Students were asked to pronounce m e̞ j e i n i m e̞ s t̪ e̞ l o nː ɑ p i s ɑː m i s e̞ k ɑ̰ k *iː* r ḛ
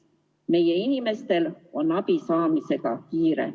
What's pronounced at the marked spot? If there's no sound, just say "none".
iː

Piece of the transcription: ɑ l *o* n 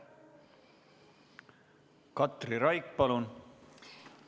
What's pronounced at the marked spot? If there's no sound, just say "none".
u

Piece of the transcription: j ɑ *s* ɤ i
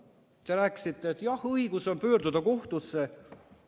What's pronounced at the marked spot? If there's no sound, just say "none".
h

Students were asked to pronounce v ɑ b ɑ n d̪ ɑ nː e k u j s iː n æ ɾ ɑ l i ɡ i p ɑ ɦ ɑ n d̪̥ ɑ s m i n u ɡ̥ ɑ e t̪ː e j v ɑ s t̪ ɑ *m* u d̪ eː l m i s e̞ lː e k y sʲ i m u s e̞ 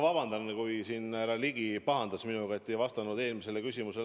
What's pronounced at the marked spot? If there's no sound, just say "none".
n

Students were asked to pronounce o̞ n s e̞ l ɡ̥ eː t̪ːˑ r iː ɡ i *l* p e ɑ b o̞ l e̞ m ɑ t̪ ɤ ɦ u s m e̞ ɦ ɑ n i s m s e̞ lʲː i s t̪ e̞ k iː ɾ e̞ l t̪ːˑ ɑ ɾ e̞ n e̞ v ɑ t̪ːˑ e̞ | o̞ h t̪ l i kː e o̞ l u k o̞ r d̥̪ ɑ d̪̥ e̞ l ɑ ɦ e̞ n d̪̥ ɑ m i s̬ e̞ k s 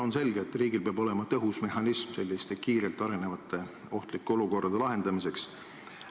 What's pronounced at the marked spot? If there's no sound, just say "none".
l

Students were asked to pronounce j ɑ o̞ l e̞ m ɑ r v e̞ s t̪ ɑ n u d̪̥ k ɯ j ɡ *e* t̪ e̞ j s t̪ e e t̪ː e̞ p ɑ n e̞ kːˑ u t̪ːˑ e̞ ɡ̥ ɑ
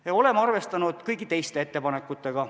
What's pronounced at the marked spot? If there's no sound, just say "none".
i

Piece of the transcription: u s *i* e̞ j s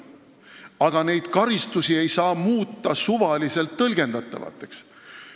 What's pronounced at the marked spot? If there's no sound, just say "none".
i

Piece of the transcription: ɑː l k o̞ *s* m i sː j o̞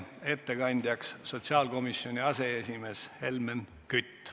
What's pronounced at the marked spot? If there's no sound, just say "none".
none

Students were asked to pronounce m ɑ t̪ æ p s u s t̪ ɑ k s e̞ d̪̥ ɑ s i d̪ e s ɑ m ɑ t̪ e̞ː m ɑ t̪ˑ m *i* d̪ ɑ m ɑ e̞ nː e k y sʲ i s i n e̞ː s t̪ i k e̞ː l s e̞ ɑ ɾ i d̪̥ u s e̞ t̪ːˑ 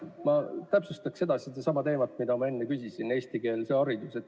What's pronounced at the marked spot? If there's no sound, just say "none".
i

